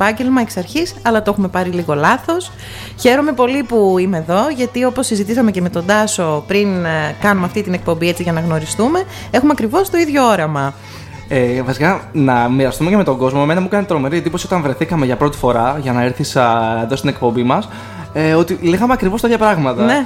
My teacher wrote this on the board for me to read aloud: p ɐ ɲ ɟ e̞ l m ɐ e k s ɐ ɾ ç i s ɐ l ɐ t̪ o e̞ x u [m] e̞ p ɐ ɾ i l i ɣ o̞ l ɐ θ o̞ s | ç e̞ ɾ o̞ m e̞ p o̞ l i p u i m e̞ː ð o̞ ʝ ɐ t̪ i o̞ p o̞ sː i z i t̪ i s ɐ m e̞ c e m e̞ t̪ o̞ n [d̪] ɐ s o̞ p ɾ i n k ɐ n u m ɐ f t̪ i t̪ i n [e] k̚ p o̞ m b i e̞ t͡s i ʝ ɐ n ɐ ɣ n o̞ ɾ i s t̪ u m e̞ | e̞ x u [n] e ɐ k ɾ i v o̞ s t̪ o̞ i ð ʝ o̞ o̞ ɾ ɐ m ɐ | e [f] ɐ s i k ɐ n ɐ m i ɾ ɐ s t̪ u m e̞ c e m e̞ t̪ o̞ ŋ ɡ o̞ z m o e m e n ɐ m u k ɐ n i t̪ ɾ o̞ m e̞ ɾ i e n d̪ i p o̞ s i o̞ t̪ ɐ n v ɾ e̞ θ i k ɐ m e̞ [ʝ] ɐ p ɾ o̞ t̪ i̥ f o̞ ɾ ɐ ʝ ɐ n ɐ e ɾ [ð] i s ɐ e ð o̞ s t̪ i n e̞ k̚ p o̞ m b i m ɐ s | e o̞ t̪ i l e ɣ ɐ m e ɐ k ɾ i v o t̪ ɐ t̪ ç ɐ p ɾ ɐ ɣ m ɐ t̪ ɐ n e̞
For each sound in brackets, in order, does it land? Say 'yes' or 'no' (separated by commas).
yes, yes, yes, no, no, yes, no